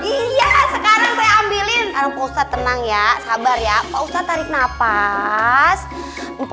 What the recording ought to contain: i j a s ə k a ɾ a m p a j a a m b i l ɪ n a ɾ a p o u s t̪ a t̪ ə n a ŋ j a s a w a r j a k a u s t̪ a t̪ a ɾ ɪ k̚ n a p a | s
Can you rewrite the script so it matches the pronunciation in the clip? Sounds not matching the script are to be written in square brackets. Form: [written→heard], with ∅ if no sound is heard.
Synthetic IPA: i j a s ə k a ɾ a [m→ŋ] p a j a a m b i l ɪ n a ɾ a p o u s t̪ a t̪ ə n a ŋ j a s a [w→b] a r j a [k→p] a u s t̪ a t̪ a ɾ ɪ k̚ n a p a | s